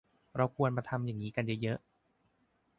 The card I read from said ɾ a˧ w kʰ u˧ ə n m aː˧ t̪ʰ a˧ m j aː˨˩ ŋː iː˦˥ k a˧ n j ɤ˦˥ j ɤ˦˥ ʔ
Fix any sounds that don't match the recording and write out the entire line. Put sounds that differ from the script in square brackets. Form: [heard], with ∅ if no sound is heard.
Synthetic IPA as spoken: ɾ a˧ w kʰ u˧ ə n m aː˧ t̪ʰ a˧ m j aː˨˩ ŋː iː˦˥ k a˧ n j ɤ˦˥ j ɤ˦˥ ʔ